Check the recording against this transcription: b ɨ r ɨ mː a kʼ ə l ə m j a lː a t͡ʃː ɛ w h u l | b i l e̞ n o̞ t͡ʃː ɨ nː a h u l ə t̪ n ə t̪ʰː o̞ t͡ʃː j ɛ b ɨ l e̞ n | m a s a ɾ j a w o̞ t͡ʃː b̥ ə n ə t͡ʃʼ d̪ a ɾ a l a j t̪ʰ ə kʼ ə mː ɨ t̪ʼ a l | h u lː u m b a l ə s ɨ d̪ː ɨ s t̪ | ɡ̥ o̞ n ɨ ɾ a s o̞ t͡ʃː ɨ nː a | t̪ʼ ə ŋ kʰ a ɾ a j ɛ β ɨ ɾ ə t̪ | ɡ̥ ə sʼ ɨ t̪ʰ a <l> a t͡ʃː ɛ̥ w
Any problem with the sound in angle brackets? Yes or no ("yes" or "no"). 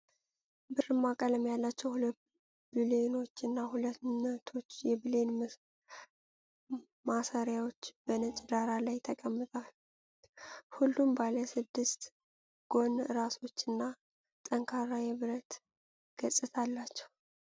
yes